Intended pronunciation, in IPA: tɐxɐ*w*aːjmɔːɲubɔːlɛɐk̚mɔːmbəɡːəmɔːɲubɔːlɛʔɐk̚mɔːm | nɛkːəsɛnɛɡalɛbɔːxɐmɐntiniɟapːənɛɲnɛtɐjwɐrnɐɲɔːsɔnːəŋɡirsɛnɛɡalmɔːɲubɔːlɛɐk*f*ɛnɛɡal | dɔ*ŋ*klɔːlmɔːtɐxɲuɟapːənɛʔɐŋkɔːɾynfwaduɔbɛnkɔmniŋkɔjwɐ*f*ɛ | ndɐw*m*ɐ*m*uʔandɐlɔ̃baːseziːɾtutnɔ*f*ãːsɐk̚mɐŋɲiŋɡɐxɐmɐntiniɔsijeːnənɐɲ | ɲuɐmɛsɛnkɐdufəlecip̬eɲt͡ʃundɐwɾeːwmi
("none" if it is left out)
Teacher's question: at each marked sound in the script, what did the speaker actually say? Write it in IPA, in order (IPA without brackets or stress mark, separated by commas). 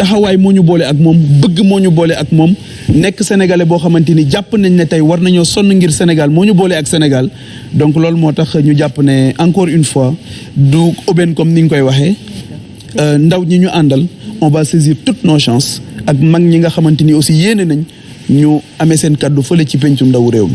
w, s, ŋ, x, ɲ, ɲ, ʃ